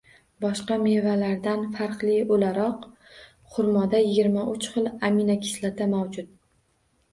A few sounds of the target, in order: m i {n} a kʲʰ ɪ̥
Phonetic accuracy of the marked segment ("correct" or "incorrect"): correct